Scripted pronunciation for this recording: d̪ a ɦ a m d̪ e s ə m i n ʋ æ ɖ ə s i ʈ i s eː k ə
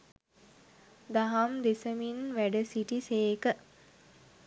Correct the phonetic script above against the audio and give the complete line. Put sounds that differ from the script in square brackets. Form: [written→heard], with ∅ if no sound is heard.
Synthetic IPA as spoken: d̪ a ɦ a m d̪ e s ə m i n ʋ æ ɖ ə s i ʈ i s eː k ə